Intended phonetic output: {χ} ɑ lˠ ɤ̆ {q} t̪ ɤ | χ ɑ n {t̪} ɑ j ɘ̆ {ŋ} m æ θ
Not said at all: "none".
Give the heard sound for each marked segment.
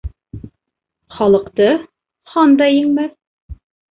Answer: χ, q, d̪, ŋ

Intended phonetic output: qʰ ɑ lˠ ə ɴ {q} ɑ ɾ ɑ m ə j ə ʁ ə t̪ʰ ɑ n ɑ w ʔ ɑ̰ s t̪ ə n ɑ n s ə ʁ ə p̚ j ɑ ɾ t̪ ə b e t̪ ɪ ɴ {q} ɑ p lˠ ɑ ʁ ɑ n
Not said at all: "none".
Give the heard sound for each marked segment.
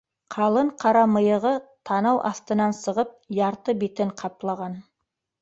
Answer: qʰ, qʰ

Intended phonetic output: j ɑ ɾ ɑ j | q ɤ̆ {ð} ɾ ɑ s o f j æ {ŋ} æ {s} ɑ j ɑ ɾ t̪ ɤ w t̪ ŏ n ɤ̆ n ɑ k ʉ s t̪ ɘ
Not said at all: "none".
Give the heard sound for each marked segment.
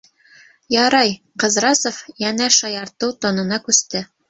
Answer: z, n, ʃ

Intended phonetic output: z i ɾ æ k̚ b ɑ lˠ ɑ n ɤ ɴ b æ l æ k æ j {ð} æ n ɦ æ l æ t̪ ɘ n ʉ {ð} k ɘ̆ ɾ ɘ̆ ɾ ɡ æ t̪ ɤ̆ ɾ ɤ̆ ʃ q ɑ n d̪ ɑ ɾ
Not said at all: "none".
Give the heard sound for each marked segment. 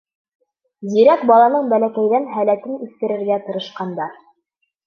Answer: ð, θ

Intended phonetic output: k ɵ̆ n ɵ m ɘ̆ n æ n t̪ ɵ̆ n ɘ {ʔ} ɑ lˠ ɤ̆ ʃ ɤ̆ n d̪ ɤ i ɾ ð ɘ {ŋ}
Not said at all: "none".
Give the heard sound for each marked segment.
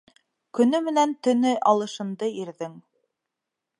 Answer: ʔ, ŋ

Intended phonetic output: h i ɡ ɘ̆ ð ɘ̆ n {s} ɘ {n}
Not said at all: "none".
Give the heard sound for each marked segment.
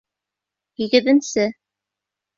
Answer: s, none

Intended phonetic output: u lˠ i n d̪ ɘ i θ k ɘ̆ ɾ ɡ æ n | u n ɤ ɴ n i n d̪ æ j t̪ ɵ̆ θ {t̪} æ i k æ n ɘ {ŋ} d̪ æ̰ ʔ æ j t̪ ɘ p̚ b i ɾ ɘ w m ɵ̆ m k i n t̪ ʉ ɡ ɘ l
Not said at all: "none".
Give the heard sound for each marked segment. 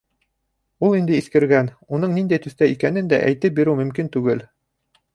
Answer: t̪, n

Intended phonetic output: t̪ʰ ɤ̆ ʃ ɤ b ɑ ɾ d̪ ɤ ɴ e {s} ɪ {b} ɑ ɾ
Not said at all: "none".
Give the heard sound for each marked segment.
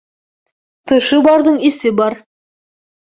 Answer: s, b

